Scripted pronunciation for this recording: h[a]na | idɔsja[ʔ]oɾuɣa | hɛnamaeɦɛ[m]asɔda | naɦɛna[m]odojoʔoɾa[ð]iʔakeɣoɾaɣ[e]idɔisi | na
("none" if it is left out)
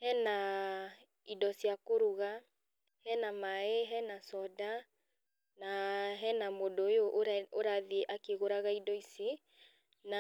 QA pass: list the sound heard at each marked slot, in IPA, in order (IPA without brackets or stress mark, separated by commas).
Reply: ɛ, k, n, m, ð, a